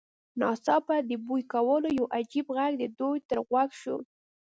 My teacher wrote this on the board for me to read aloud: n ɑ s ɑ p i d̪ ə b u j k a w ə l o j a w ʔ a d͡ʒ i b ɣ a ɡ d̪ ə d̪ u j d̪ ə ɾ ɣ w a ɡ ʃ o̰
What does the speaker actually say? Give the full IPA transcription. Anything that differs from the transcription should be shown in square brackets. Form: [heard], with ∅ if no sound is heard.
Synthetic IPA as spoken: n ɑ s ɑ p [a] d̪ ə b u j k a w ə l o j a w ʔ a d͡ʒ i b ɣ a ɡ d̪ ə d̪ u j [t̪] ə ɾ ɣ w a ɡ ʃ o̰